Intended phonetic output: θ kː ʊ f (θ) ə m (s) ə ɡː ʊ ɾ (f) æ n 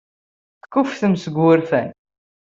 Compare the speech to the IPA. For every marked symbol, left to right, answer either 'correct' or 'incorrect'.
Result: correct, correct, correct

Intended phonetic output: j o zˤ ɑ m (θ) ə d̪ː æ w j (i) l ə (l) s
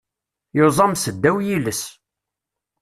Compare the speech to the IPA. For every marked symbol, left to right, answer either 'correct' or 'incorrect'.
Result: incorrect, correct, incorrect

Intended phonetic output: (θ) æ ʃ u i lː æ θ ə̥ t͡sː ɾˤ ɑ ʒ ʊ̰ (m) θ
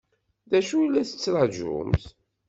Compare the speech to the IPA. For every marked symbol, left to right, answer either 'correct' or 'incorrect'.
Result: incorrect, correct

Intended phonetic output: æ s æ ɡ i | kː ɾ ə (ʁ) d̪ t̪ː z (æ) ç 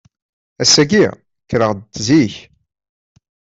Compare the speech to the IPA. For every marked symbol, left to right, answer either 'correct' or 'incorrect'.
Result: correct, incorrect

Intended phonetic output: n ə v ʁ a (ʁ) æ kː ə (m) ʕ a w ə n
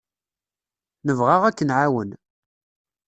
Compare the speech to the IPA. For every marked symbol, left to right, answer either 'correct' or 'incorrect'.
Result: correct, incorrect

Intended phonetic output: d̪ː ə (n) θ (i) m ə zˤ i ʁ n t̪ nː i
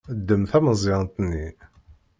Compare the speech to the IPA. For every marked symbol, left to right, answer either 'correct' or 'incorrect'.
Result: incorrect, incorrect

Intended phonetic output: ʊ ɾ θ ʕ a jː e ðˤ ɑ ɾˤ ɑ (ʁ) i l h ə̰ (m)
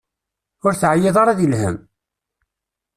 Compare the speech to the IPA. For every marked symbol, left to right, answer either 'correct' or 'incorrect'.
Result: incorrect, correct

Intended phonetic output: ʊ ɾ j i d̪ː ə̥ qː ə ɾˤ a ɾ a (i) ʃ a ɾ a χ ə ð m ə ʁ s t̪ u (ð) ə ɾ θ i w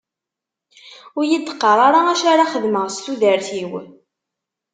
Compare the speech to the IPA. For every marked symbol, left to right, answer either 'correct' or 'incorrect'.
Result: incorrect, correct

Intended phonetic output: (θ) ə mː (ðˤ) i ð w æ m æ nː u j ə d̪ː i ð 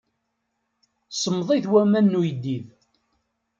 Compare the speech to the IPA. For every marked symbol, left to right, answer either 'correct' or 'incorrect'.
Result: incorrect, correct

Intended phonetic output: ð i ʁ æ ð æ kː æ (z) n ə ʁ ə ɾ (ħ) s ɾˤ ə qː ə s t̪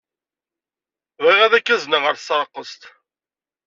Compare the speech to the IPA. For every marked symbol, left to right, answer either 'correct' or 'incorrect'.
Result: correct, incorrect

